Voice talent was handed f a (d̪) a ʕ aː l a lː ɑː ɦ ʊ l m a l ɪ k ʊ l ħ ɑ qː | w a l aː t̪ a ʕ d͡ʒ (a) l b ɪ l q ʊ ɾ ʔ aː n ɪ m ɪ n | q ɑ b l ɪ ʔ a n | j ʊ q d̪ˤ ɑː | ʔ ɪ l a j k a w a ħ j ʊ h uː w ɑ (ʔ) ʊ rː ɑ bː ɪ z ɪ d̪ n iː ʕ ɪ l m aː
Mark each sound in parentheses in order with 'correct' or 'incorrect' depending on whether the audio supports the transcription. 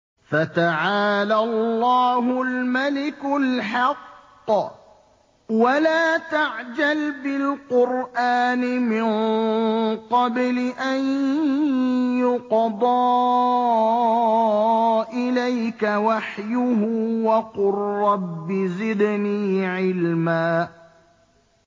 incorrect: t̪, correct, incorrect: q

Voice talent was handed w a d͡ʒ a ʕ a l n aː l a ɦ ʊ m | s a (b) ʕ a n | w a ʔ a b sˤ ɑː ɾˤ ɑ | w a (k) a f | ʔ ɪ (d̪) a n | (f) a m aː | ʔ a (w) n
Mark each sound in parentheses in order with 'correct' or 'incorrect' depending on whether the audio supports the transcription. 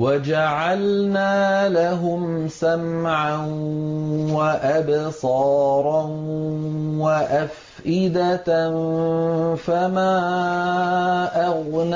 incorrect: m, incorrect: ʔ, correct, correct, incorrect: ɣ

